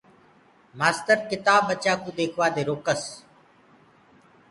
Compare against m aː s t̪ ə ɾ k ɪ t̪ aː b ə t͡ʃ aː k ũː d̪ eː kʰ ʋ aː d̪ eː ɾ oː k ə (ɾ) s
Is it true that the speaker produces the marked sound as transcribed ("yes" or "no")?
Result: no